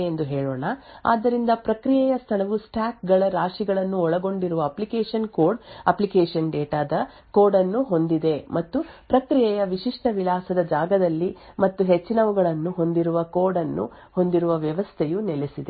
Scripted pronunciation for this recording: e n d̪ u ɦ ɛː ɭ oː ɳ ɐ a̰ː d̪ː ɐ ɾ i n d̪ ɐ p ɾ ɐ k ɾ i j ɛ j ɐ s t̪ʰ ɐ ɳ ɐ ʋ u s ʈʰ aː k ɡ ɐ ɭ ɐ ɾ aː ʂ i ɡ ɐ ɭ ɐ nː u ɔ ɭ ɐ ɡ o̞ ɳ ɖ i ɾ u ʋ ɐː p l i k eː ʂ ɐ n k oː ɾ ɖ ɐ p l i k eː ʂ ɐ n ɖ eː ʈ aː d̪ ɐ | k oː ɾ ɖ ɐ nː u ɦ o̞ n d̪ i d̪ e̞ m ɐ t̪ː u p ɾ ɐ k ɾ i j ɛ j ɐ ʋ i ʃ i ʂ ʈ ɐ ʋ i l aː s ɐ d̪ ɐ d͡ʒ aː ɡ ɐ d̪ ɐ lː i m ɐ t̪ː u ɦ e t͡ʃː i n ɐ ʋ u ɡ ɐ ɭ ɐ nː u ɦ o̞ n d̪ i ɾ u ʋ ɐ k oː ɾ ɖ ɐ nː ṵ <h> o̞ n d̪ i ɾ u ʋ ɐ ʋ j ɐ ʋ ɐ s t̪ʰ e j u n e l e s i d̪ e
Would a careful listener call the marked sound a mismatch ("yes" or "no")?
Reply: no